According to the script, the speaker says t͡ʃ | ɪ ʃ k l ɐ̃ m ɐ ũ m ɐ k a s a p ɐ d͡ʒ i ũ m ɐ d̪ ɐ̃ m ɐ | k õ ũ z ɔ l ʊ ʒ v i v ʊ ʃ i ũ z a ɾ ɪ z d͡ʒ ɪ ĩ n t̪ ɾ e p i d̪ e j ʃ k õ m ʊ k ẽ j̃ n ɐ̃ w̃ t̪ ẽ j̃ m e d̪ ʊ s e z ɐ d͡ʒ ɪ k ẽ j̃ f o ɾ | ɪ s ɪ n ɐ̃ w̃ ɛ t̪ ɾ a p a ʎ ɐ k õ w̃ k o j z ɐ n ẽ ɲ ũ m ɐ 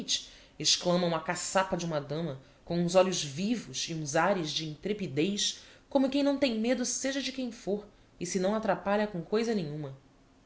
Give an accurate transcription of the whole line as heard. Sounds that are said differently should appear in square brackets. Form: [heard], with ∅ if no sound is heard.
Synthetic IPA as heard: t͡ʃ | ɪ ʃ k l ɐ̃ m ɐ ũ m ɐ k a s a p ɐ d͡ʒ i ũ m ɐ d̪ ɐ̃ m ɐ | k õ ũ z ɔ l ʊ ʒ v i v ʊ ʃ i ũ z a ɾ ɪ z d͡ʒ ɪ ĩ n t̪ ɾ e p i d̪ e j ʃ k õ m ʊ k ẽ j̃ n ɐ̃ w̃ t̪ ẽ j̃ m e d̪ ʊ s e [ʒ] ɐ d͡ʒ ɪ k ẽ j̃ f o ɾ | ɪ s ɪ n ɐ̃ w̃ [a] t̪ ɾ a p a ʎ ɐ k õ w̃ k o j z ɐ n ẽ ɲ ũ m ɐ